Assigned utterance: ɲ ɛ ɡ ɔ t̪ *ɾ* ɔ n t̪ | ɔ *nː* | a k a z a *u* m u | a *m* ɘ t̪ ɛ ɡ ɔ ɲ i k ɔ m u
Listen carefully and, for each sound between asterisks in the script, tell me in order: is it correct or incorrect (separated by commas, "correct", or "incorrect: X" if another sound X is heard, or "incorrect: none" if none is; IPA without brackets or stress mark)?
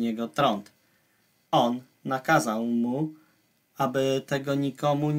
correct, correct, incorrect: w, incorrect: b